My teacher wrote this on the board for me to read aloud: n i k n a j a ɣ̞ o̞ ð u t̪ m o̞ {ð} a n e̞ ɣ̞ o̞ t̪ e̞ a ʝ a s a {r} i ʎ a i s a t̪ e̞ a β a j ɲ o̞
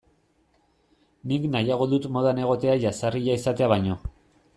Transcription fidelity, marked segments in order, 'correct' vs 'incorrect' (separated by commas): correct, correct